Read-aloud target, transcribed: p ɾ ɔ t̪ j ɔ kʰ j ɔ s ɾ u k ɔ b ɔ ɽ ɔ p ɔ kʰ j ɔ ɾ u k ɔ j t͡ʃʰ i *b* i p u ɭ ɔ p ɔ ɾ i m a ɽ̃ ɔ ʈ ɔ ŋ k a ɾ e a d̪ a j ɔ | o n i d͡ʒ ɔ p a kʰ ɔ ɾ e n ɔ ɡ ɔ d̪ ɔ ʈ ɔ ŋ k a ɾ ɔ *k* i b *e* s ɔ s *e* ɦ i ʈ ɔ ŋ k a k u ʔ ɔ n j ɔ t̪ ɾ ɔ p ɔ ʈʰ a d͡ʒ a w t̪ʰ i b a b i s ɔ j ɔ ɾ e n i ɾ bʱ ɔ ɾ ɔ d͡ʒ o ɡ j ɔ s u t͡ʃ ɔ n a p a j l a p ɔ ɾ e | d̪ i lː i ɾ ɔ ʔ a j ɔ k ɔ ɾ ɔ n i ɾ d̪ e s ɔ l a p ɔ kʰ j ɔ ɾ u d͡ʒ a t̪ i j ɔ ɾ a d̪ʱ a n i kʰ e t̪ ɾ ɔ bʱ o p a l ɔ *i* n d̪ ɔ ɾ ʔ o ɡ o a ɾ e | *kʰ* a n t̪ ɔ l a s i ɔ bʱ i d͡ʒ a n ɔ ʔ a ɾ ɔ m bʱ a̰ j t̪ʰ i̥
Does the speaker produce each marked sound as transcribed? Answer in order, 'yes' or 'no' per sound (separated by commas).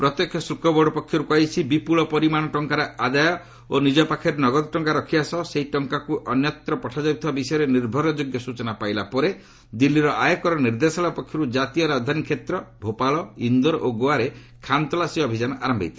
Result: yes, no, no, yes, yes, yes